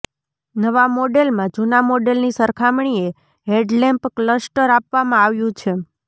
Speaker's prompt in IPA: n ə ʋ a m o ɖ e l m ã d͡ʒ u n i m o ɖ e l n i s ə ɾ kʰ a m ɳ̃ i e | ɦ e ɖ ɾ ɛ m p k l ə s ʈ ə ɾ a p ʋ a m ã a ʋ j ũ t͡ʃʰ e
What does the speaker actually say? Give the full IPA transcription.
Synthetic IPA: n ə ʋ a m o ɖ e l m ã d͡ʒ u n a m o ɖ e l n i s ə ɾ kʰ a m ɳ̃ i e | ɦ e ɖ l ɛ m p k l ə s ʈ ə ɾ a p ʋ a m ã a ʋ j ũ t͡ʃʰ e